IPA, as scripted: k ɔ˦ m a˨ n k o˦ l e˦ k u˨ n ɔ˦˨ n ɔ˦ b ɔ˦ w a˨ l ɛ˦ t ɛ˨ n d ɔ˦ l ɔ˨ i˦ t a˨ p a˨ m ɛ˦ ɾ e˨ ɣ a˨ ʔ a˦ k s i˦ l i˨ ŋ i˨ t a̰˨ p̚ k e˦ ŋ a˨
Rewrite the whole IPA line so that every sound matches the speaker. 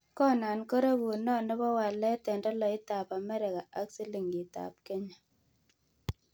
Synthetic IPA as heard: k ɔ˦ n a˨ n k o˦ ɾ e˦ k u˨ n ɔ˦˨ n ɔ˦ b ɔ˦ w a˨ l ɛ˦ t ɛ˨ n d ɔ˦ l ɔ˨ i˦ t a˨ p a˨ m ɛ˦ ɾ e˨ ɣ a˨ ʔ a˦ k s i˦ l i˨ ŋ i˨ t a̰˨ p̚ k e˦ ɲ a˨